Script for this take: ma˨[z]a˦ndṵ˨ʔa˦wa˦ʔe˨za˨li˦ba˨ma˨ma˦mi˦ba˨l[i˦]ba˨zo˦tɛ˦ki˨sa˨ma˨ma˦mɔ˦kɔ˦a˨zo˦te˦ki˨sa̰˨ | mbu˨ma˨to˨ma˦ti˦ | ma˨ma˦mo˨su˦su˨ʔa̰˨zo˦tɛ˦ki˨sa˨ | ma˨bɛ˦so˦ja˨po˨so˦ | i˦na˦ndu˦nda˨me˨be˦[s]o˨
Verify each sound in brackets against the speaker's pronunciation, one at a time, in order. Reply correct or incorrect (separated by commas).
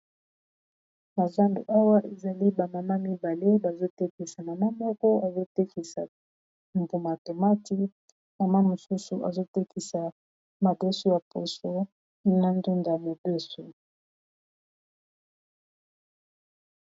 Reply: correct, incorrect, correct